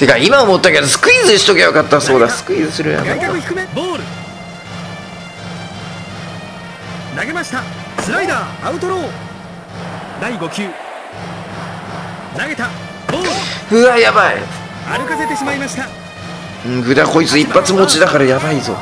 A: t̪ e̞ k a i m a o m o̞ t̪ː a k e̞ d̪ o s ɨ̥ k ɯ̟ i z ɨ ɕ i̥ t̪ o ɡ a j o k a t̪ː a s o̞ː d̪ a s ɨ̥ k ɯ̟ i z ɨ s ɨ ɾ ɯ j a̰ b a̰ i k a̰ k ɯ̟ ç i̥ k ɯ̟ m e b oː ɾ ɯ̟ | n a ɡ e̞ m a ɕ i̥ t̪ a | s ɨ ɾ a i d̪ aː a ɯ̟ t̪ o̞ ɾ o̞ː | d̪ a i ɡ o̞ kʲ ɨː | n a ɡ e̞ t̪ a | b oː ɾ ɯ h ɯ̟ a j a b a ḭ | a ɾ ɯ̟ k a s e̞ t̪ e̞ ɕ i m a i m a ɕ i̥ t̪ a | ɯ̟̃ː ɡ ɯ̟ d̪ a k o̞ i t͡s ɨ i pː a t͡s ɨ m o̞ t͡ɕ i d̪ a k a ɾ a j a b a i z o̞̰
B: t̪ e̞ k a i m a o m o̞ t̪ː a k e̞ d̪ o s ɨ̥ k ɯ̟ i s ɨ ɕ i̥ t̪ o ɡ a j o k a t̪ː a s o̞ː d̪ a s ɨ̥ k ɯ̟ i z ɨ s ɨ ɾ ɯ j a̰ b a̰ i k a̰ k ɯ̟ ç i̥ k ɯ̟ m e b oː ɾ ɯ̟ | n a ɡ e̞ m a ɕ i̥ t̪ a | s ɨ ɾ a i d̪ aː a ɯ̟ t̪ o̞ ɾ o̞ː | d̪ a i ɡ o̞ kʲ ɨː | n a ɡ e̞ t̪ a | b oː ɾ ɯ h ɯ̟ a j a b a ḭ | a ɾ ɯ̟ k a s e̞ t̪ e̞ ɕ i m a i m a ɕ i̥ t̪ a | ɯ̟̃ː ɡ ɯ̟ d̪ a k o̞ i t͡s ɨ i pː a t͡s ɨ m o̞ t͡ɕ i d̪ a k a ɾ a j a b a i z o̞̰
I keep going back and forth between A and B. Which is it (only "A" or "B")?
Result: A